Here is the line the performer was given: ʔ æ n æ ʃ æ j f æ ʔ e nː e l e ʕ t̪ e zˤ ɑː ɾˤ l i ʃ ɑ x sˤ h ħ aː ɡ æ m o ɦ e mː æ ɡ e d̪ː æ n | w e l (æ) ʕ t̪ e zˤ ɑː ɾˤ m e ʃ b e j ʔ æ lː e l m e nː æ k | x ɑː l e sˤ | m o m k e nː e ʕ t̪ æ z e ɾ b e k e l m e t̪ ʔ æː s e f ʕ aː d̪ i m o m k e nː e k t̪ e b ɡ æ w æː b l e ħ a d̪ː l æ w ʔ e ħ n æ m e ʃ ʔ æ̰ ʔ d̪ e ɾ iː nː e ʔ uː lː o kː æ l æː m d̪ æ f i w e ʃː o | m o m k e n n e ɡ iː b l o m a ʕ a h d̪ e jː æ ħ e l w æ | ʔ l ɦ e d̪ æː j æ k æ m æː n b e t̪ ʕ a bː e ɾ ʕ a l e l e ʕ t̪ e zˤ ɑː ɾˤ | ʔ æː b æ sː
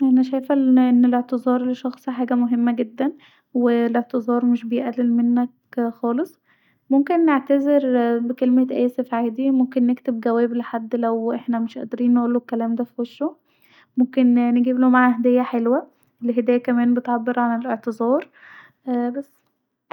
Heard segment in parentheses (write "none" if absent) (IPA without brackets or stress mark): e